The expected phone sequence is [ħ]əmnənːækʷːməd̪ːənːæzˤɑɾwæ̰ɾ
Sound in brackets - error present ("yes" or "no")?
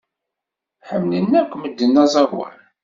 no